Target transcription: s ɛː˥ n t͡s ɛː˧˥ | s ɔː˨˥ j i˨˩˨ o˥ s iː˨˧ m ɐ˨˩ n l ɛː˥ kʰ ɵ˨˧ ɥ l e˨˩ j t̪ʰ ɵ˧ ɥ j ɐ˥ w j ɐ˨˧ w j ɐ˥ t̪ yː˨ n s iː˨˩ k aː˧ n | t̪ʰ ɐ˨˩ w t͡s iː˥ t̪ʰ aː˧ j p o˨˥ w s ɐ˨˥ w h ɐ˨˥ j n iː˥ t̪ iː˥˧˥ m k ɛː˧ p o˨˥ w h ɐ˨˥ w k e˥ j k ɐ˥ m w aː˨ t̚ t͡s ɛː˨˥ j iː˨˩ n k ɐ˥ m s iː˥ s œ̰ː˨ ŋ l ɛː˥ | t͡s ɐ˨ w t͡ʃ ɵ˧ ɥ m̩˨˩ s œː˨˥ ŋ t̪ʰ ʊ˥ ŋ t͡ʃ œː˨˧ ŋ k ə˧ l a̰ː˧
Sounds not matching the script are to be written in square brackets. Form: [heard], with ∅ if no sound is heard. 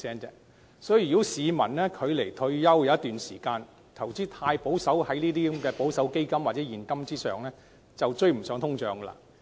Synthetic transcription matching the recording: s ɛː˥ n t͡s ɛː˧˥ | s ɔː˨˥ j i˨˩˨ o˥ s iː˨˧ m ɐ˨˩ n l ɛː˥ kʰ ɵ˨˧ ɥ l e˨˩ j t̪ʰ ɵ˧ ɥ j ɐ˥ w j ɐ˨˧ w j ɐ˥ t̪ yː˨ n s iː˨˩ k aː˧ n | t̪ʰ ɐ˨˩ w t͡s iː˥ t̪ʰ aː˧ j p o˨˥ w s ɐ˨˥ w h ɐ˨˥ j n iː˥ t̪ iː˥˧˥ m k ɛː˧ p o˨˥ w [s] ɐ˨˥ w k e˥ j k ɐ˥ m w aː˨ t̚ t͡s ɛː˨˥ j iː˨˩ n k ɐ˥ m [t͡s] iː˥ s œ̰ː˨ ŋ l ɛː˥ | t͡s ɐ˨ w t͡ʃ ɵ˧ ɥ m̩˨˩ s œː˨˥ ŋ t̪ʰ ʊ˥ ŋ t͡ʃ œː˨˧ ŋ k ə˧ l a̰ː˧